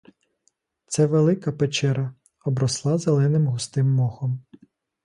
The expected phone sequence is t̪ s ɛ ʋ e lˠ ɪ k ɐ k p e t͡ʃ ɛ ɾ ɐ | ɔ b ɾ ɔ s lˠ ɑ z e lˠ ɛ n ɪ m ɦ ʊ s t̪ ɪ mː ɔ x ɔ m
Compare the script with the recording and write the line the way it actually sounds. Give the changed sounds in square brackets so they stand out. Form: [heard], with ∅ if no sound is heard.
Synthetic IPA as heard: t̪ s ɛ ʋ e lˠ ɪ k ɐ [∅] p e t͡ʃ ɛ ɾ ɐ | ɔ b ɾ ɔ s lˠ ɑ z e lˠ ɛ n ɪ m ɦ ʊ s t̪ ɪ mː ɔ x ɔ m